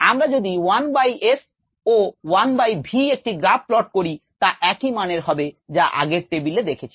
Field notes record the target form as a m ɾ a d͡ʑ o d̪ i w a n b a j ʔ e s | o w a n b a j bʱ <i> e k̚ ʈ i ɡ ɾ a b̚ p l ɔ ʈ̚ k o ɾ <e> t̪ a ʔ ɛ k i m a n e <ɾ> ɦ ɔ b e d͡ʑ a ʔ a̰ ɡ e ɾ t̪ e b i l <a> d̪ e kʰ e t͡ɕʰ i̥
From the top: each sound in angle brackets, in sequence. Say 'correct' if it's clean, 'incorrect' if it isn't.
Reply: correct, incorrect: i, correct, incorrect: e

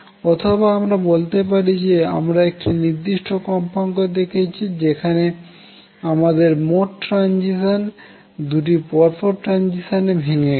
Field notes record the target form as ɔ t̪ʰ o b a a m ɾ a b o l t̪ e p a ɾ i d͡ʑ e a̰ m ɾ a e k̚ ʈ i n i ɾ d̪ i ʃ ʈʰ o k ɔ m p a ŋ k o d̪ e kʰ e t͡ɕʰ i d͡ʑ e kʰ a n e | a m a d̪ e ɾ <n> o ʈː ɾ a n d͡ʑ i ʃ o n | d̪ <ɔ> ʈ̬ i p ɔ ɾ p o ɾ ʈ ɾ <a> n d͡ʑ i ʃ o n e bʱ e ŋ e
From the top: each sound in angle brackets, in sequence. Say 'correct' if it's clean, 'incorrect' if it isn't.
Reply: incorrect: m, incorrect: u, correct

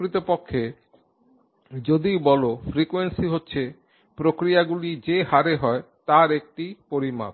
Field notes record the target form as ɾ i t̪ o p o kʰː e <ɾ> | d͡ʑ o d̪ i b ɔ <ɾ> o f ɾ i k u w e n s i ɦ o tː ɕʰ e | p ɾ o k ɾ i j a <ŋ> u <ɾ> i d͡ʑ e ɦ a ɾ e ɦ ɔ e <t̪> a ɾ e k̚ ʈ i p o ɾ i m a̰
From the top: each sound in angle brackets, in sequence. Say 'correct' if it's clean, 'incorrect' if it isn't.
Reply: incorrect: none, incorrect: l, incorrect: ɡ, incorrect: l, correct

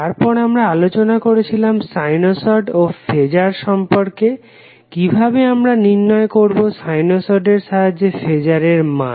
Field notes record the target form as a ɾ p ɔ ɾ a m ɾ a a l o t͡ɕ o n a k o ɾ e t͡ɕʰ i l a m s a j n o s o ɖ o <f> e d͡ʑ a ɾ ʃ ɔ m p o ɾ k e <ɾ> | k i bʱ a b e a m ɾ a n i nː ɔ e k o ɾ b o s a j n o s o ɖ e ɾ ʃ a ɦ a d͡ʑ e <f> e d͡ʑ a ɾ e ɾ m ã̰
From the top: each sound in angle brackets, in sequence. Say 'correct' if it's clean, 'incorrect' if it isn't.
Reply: correct, incorrect: none, correct

